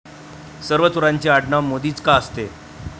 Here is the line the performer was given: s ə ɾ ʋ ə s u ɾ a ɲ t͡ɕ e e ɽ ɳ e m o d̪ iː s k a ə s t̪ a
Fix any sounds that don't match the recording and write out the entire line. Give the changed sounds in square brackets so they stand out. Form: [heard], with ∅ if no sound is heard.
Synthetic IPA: s ə ɾ ʋ ə [t͡s] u ɾ a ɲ t͡ɕ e [a] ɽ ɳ [a] m o d̪ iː [t͡s] k a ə s t̪ [e]